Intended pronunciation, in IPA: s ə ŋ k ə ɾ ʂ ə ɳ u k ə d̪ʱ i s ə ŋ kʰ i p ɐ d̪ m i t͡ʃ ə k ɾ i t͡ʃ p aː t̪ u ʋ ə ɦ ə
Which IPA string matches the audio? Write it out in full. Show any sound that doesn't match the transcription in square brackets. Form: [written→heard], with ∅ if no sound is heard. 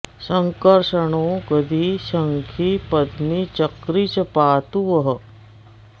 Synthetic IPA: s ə ŋ k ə ɾ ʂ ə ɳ [u→o] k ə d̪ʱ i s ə ŋ kʰ i p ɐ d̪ m i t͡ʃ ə k ɾ i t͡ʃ p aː t̪ u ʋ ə ɦ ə